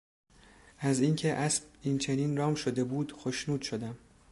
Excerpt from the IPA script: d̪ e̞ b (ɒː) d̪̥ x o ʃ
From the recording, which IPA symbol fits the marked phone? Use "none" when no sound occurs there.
uː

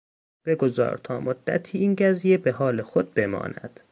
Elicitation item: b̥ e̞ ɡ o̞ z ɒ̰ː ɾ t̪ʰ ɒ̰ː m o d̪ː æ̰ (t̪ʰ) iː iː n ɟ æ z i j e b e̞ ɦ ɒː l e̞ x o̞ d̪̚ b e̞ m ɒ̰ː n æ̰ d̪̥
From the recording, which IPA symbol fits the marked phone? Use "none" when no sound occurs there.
t̪ʰ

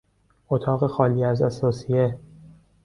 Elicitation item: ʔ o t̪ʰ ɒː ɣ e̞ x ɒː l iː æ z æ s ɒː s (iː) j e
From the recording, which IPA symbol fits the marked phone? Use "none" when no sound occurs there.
i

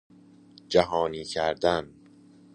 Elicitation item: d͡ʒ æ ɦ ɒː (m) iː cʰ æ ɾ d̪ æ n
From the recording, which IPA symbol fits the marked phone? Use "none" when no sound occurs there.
n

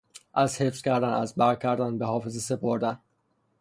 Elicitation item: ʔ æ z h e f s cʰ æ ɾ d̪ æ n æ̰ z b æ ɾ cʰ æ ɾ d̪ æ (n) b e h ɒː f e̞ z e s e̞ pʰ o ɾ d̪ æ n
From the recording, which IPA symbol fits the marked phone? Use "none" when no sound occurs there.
n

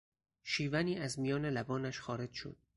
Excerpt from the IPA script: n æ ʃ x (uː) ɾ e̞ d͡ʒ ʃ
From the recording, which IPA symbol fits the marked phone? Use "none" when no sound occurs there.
ɒː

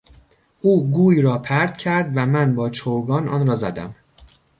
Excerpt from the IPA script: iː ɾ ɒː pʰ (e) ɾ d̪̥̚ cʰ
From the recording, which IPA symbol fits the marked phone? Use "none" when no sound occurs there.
æ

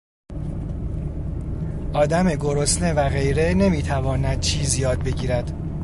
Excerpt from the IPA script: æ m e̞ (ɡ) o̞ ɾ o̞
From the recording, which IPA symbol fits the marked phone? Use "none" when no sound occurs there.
ɡ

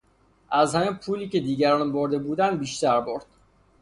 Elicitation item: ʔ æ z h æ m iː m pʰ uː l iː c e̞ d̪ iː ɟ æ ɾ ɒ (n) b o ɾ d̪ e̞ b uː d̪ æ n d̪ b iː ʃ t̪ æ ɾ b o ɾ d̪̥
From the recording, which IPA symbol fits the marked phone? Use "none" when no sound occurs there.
n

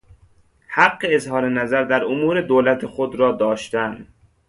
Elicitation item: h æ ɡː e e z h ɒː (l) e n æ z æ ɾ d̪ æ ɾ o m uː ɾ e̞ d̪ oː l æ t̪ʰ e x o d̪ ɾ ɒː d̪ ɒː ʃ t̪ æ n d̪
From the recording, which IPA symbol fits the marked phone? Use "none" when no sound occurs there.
ɾ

